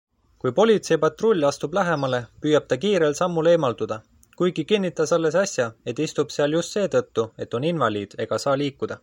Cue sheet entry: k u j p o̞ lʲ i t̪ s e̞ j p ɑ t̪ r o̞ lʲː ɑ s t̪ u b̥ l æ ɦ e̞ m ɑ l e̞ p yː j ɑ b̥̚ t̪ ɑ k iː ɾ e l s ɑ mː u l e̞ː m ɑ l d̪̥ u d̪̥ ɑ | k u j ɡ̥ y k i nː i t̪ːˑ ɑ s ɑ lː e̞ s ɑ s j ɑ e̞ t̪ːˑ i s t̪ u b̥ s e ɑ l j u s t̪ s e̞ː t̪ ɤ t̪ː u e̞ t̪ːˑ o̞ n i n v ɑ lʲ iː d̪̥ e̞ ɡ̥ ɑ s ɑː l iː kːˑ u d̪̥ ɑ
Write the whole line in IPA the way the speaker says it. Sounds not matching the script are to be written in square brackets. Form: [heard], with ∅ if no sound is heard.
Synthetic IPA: k u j p o̞ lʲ i t̪ s e̞ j p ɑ t̪ r o̞ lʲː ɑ s t̪ u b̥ l æ ɦ e̞ m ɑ l e̞ p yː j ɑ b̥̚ t̪ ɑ k iː ɾ e l s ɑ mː u l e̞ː m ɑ l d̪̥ u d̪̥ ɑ | k u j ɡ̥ [i] k i nː i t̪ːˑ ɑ s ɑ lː e̞ s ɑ s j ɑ e̞ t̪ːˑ i s t̪ u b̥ s e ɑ l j u s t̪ s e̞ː t̪ ɤ t̪ː u e̞ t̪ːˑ o̞ n i n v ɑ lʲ iː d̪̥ e̞ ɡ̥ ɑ s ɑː l iː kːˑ u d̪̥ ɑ

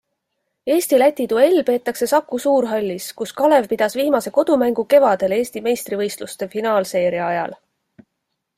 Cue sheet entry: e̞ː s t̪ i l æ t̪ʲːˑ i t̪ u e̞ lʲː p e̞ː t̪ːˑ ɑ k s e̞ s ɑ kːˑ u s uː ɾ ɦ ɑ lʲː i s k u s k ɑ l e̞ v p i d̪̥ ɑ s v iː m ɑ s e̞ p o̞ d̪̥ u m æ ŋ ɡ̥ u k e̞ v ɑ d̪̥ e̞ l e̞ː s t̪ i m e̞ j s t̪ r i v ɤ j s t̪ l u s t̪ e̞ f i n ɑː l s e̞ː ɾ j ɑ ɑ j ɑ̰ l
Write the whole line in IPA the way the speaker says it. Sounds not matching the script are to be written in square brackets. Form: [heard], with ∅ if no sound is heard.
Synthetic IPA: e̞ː s t̪ i l æ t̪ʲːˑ i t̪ u e̞ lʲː p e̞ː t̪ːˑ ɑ k s e̞ s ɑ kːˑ u s uː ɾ ɦ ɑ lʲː i s k u s k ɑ l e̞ v p i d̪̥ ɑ s v iː m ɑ s e̞ [k] o̞ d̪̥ u m æ ŋ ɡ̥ u k e̞ v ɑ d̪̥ e̞ l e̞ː s t̪ i m e̞ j s t̪ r i v ɤ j s t̪ l u s t̪ e̞ f i n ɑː l s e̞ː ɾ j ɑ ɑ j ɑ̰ l

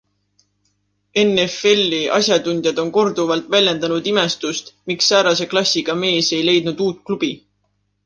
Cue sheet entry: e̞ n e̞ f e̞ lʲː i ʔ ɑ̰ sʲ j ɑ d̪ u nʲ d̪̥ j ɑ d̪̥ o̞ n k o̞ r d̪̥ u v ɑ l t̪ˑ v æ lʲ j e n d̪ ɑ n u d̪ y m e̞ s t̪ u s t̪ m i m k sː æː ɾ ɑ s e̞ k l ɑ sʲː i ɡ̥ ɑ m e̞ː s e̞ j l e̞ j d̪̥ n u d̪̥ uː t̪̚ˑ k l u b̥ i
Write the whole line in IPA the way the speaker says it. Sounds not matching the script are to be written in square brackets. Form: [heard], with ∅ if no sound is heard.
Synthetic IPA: e̞ n e̞ f e̞ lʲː i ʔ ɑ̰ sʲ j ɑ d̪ u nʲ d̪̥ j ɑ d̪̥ o̞ n k o̞ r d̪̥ u v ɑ l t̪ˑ v æ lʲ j e n d̪ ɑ n u d̪ [i] m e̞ s t̪ u s t̪ m i [∅] k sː æː ɾ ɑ s e̞ k l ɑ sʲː i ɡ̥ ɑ m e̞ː s e̞ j l e̞ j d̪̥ n u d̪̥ uː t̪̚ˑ k l u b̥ i

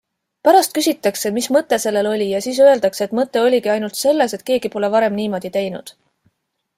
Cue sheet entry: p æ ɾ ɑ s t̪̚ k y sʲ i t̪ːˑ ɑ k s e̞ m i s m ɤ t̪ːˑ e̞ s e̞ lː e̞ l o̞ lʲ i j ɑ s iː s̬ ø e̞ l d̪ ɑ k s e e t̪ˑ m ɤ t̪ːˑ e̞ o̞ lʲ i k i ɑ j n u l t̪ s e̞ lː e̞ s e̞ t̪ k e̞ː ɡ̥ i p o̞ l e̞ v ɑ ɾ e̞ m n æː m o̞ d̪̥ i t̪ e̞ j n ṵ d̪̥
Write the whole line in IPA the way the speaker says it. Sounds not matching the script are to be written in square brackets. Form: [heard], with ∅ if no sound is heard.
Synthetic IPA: p æ ɾ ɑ s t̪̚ k y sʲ i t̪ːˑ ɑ k s e̞ m i s m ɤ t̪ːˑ e̞ s e̞ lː e̞ l o̞ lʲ i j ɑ s iː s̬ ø e̞ l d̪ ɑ k s e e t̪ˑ m ɤ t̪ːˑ e̞ o̞ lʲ i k i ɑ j n u l t̪ s e̞ lː e̞ s e̞ t̪ k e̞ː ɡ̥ i p o̞ l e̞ v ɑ ɾ e̞ m n [iː] m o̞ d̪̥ i t̪ e̞ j n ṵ d̪̥

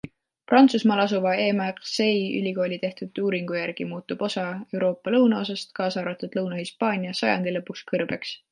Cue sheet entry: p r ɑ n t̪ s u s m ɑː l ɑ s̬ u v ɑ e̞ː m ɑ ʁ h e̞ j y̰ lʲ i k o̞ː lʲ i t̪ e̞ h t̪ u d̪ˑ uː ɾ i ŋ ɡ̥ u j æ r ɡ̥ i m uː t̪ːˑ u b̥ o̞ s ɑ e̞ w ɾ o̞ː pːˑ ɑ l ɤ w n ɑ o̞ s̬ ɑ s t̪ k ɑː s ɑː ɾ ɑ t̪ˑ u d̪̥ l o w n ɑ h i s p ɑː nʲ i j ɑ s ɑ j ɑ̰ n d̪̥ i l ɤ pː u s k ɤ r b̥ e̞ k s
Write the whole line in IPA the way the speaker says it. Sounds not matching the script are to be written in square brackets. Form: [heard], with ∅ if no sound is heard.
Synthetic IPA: p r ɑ n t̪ s u s m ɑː l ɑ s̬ u v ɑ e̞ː m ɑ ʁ [s] e̞ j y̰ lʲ i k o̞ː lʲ i t̪ e̞ h t̪ u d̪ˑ uː ɾ i ŋ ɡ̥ u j æ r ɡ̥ i m uː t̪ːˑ u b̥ o̞ s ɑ e̞ w ɾ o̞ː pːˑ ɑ l ɤ w n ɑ o̞ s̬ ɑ s t̪ k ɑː s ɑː ɾ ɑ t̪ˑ u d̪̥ l [ɤ] w n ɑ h i s p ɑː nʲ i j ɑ s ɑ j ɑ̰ n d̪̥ i l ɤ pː u s k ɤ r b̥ e̞ k s

